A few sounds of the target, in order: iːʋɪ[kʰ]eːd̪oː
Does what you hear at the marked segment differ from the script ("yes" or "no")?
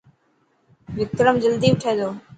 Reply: yes